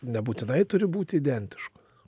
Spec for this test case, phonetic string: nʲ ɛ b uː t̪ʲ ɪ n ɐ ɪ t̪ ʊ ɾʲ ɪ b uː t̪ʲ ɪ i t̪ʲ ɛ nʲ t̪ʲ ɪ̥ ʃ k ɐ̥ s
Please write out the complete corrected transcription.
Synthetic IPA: nʲ ɛ b uː t̪ʲ ɪ n ɐ ɪ t̪ ʊ ɾʲ ɪ b uː t̪ʲ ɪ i d̪ʲ ɛ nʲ t̪ʲ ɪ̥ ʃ k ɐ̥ s